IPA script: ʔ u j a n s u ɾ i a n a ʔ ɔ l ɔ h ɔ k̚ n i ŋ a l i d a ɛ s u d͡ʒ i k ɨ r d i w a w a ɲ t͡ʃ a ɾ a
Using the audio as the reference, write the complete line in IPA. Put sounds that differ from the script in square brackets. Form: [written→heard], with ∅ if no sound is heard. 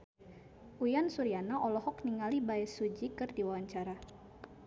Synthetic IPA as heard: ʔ u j a n s u ɾ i a n a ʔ ɔ l ɔ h ɔ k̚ n i ŋ a l i [d→b] a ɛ s u d͡ʒ i k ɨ r d i w a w a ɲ t͡ʃ a ɾ a